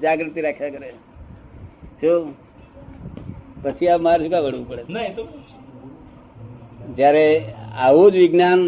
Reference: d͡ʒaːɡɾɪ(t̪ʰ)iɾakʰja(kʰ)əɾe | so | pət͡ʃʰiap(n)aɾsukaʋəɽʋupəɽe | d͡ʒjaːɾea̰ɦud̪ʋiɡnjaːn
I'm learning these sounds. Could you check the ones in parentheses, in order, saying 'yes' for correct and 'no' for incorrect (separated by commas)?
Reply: no, no, no